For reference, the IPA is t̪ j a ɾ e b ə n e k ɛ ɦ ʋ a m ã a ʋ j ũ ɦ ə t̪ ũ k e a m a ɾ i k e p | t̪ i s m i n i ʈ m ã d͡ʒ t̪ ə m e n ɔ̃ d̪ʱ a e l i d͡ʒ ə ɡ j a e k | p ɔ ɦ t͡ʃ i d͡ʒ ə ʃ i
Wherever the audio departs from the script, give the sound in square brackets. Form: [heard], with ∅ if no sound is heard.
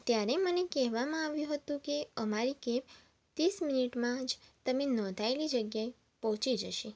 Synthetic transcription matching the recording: t̪ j a ɾ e [m] ə n e k ɛ ɦ ʋ a m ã a ʋ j ũ ɦ ə t̪ ũ k e [ə] m a ɾ i k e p | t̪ i s m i n i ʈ m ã d͡ʒ t̪ ə m e n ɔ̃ d̪ʱ a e l i d͡ʒ ə ɡ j a e [∅] | p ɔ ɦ t͡ʃ i d͡ʒ ə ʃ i